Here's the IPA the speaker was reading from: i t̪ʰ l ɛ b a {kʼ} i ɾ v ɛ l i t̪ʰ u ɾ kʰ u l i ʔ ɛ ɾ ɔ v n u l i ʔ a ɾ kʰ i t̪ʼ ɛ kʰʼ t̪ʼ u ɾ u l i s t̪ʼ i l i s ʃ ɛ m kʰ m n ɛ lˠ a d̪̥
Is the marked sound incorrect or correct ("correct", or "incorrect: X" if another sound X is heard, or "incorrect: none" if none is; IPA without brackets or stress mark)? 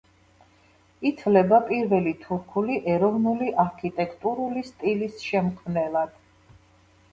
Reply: incorrect: pʼ